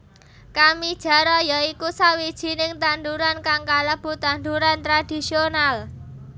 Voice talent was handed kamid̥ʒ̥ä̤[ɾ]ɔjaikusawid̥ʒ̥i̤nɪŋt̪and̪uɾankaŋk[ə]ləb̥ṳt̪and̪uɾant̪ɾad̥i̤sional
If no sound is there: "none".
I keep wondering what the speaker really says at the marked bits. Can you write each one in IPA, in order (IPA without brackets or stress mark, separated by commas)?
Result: ɾ, a